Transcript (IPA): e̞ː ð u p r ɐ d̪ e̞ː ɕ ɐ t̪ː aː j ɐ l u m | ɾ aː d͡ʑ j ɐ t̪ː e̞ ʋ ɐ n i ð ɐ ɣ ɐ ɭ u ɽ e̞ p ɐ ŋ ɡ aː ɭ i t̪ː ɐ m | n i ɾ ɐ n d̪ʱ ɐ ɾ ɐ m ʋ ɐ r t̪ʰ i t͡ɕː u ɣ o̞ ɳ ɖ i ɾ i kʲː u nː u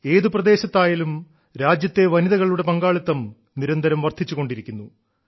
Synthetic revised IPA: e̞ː ð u p r ɐ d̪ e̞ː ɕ ɐ t̪ː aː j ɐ l u m | ɾ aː d͡ʑ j ɐ t̪ː e̞ ʋ ɐ n i ð ɐ ɣ ɐ ɭ u ɽ e̞ p ɐ ŋ ɡ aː ɭ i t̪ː ɐ m | n i ɾ ɐ n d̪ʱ ɐ ɾ ɐ m ʋ ɐ r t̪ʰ i t͡ɕː u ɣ o̞ ɳ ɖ i ɾ i kʲː u nː u